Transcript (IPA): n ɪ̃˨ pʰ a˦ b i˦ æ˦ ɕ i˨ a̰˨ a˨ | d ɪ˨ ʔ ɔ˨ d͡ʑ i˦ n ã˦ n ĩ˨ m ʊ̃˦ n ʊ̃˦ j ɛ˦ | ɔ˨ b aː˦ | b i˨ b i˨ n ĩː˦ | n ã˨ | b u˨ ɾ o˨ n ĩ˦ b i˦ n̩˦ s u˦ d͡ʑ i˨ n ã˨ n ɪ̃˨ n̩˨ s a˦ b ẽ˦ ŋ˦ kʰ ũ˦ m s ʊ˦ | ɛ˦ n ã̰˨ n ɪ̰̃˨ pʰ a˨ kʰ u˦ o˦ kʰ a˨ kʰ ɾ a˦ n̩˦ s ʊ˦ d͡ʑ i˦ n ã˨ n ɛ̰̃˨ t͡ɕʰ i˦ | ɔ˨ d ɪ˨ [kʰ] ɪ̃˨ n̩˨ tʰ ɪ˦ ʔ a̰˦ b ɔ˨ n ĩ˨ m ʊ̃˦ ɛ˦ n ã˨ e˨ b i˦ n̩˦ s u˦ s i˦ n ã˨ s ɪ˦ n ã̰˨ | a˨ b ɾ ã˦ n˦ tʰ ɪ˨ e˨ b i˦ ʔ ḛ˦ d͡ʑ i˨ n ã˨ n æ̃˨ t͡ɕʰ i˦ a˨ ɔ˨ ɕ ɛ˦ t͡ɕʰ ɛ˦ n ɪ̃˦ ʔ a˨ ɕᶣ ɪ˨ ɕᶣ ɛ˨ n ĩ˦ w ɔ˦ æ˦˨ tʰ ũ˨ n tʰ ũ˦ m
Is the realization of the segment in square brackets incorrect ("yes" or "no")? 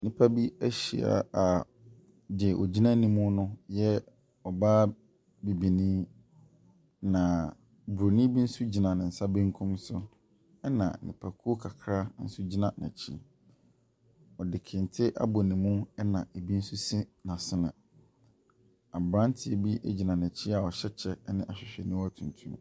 no